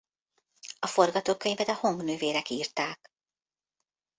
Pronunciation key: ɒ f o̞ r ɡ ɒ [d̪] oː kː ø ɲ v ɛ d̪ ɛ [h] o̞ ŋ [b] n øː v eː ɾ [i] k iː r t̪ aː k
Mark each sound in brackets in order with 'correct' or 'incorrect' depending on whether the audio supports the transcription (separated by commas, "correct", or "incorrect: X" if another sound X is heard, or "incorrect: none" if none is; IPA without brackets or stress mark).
incorrect: t̪, correct, incorrect: ɡ, incorrect: ɛ